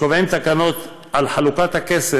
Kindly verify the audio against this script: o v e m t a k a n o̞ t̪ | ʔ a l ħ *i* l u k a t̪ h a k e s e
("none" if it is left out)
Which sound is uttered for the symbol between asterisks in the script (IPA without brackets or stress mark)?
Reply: a